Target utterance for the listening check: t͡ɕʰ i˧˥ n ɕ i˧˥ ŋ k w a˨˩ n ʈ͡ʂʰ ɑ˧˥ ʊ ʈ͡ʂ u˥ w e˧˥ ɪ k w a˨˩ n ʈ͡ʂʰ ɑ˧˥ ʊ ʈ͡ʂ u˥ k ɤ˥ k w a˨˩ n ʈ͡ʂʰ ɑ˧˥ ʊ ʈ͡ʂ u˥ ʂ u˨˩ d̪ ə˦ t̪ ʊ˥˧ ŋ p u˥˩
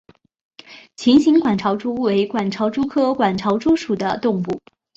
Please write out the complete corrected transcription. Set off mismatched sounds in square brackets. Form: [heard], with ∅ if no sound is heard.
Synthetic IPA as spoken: t͡ɕʰ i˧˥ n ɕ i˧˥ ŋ k w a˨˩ n ʈ͡ʂʰ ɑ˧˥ ʊ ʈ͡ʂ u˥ w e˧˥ ɪ k w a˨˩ n ʈ͡ʂʰ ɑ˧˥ ʊ ʈ͡ʂ u˥ [kʰ] ɤ˥ k w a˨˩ n ʈ͡ʂʰ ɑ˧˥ ʊ ʈ͡ʂ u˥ ʂ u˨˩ d̪ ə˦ t̪ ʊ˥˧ ŋ p u˥˩